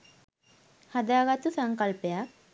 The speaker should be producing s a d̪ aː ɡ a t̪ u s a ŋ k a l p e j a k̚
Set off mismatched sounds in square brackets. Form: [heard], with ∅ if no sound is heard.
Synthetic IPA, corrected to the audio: [h] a d̪ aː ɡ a t̪ u s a ŋ k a l p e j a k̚